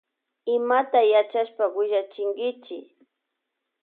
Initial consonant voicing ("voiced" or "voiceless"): voiced